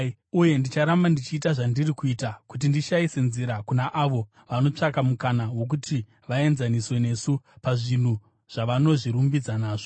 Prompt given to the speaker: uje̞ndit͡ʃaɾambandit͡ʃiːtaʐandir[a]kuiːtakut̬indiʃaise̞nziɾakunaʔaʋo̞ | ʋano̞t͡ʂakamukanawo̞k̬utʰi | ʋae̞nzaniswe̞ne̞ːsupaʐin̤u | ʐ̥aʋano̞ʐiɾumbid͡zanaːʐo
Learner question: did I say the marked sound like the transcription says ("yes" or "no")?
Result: no